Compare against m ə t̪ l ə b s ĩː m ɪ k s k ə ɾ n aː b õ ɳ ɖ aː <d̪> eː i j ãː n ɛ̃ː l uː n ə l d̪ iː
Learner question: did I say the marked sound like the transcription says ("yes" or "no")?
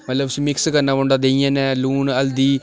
yes